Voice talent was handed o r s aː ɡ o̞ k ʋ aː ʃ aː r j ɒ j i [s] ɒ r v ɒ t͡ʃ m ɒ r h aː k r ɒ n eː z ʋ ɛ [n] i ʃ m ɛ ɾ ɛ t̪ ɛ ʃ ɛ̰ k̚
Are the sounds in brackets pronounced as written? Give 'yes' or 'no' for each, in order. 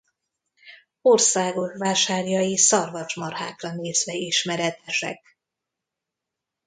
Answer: yes, no

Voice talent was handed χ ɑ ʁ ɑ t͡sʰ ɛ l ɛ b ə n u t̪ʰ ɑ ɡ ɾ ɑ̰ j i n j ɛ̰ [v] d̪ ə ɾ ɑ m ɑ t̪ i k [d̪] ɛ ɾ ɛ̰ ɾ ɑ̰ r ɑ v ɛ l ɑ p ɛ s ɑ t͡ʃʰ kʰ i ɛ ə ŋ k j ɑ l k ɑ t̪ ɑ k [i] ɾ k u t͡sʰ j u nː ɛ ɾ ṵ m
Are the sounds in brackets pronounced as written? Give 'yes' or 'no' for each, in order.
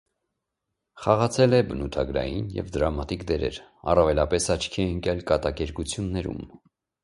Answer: yes, yes, no

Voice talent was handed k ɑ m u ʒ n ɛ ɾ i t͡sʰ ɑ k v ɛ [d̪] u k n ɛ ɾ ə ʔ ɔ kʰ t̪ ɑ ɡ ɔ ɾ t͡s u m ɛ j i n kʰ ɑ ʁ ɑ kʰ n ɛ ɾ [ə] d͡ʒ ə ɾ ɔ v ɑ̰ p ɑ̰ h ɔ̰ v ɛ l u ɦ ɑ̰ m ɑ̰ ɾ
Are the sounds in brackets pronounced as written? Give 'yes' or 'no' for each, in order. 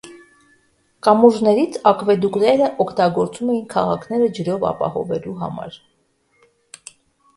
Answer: yes, yes

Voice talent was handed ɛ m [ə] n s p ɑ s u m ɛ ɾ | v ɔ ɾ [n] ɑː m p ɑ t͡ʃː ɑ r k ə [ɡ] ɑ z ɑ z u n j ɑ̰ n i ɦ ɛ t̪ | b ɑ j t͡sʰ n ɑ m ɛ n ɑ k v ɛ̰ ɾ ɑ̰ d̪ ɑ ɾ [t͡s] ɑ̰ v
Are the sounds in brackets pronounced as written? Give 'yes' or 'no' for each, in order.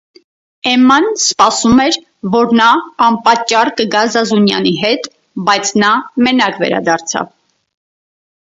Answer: no, yes, yes, no

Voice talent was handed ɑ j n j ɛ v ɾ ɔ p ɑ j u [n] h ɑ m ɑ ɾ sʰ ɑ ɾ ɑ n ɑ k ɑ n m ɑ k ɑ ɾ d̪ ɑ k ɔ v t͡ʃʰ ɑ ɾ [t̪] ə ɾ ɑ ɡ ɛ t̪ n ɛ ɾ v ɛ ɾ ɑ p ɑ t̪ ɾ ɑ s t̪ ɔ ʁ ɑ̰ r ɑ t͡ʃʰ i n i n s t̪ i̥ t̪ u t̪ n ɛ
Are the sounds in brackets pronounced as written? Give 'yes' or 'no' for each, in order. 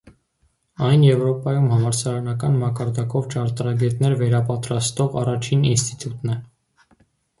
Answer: no, yes

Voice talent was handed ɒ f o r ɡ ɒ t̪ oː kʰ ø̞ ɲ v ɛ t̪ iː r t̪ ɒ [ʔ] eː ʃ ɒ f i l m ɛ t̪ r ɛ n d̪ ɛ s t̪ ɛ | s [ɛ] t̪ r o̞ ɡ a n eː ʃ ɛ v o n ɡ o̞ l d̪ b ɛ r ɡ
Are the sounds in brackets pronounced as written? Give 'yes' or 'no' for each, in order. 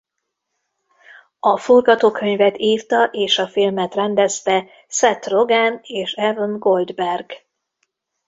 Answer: yes, yes

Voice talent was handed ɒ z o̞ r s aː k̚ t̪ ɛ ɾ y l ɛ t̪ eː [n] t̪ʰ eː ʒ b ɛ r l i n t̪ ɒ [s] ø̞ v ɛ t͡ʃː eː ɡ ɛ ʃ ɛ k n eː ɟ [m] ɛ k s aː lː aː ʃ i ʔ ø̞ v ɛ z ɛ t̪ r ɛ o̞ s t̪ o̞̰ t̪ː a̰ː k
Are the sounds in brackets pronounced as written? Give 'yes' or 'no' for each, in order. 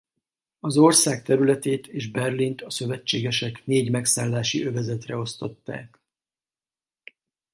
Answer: no, yes, yes

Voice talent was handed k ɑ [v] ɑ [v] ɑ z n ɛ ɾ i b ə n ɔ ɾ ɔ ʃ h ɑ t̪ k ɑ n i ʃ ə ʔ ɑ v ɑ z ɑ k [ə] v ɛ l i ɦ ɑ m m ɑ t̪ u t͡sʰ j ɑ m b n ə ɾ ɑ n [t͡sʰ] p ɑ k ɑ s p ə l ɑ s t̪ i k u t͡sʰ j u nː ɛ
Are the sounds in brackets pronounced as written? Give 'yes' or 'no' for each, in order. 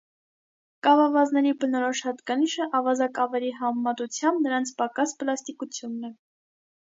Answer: yes, yes, no, yes

